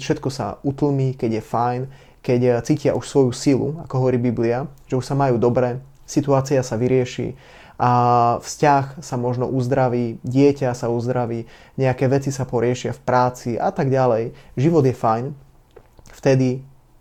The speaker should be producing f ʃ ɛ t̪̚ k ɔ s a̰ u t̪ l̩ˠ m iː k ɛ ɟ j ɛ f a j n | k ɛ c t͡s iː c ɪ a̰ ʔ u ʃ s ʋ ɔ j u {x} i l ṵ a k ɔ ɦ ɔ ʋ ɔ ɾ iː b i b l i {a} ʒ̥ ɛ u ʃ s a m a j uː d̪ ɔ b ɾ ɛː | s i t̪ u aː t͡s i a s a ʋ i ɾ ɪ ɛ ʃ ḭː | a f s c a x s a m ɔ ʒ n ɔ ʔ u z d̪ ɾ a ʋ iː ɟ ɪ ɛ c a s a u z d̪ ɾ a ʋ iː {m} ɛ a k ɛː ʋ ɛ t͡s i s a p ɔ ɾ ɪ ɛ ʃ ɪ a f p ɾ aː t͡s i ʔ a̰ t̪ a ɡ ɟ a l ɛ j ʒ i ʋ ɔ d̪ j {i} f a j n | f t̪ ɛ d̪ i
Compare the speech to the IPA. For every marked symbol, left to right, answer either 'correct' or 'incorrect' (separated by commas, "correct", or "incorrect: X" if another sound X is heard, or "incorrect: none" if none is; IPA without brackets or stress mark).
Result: incorrect: s, correct, incorrect: ɲ, incorrect: ɛ